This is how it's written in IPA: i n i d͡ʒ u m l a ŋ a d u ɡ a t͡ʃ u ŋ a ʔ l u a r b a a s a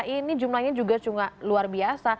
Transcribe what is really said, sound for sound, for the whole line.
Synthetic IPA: i n i d͡ʒ u m l a ɲ a d͡ʒ u ɡ a t͡ʃ u ŋ a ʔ l u a r b i a s a